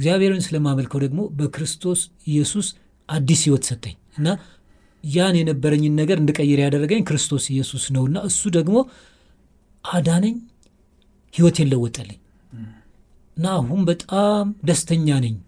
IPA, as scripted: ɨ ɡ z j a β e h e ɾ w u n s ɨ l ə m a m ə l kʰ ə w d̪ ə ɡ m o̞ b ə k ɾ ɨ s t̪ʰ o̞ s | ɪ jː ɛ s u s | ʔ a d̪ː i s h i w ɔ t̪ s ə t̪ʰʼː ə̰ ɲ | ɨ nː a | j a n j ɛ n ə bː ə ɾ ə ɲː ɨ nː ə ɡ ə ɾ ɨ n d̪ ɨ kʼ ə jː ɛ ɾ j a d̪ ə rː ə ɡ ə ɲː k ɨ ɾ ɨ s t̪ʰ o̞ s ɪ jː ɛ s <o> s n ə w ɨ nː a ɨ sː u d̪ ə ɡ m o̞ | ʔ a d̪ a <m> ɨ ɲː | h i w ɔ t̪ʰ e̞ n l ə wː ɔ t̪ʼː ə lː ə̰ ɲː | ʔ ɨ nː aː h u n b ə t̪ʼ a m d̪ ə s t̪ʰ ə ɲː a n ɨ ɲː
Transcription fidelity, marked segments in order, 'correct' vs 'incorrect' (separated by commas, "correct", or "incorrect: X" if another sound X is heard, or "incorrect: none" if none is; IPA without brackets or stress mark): incorrect: u, incorrect: n